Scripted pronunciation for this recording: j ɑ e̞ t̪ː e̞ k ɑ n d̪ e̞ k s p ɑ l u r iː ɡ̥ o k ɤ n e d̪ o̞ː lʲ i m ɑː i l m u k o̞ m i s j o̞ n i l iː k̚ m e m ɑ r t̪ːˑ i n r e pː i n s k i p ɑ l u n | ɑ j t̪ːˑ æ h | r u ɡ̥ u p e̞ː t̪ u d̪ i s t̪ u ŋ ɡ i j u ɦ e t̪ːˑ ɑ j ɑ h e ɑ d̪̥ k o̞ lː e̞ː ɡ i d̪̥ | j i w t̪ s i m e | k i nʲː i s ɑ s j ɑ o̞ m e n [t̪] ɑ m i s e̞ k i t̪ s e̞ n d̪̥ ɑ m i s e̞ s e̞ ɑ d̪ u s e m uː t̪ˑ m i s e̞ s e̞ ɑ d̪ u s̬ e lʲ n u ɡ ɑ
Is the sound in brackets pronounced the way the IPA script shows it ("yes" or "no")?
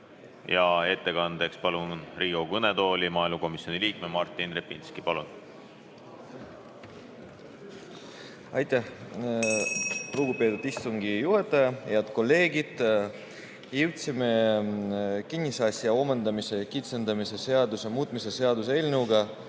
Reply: no